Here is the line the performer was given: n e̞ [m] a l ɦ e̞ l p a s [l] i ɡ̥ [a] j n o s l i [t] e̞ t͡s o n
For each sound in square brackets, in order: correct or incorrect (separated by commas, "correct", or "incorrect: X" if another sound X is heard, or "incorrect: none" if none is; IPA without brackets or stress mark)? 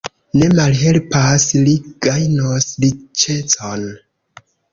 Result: correct, correct, correct, incorrect: t͡ʃ